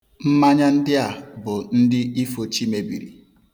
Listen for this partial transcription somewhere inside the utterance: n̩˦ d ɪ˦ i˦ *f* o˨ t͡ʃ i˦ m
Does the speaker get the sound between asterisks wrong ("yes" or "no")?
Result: no